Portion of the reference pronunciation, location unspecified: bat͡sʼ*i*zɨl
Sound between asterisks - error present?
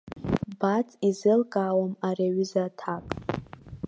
no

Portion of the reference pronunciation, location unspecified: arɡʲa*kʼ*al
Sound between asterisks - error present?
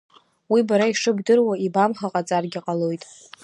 yes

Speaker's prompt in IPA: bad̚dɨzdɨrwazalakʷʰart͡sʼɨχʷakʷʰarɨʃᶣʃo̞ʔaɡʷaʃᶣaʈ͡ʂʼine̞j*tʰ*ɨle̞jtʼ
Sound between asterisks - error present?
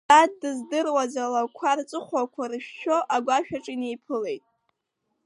yes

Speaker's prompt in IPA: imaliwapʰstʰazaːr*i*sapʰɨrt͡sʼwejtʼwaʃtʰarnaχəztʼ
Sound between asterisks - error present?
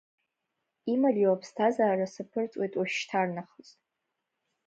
yes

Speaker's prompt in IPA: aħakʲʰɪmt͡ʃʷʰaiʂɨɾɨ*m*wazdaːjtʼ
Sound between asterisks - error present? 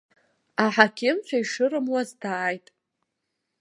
no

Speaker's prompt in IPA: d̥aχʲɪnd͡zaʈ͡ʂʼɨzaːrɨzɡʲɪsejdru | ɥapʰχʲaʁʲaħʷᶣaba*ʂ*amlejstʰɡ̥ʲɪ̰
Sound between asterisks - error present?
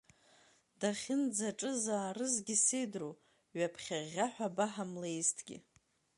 yes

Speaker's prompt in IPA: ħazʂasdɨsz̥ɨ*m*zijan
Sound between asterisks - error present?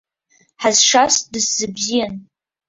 yes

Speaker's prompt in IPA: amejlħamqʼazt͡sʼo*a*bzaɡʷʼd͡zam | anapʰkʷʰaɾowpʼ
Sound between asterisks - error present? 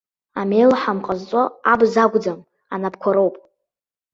no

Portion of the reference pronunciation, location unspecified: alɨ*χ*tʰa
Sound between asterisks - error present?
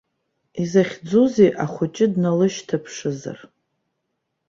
yes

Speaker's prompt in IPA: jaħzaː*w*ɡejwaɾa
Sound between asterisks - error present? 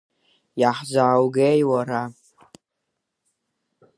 no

